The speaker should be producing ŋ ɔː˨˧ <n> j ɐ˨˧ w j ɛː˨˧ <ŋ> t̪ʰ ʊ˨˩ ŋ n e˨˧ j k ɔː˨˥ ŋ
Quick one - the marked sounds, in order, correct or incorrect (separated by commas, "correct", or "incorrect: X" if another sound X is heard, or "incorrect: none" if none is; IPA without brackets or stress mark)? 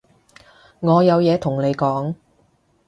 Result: incorrect: none, incorrect: none